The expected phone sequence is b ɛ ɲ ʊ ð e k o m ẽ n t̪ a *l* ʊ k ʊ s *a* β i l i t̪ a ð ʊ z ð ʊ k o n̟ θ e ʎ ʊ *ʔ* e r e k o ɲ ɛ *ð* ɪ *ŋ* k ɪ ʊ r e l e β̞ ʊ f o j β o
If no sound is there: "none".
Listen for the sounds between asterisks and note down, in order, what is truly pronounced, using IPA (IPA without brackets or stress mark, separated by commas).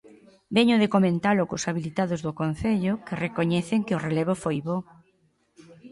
l, a, k, θ, ŋ